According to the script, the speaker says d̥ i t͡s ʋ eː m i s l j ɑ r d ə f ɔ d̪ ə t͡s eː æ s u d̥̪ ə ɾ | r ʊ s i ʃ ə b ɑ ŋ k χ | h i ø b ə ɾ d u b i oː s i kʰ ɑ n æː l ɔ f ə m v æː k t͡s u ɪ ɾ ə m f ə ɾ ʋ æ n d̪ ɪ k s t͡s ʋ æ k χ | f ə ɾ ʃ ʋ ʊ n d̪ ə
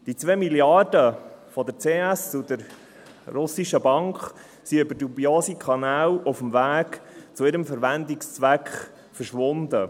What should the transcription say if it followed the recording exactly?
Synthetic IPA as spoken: d̥ i t͡s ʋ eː m i l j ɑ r d ə f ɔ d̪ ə t͡s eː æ s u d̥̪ ə ɾ | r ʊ s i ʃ ə b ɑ ŋ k χ | s i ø b ə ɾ d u b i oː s i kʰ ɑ n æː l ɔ f ə m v æː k t͡s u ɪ ɾ ə m f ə ɾ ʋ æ n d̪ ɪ k s t͡s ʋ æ k χ | f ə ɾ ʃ ʋ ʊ n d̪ ə